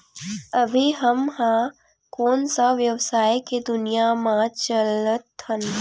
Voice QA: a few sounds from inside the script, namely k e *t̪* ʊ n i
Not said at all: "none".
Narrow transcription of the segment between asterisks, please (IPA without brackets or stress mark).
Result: d̪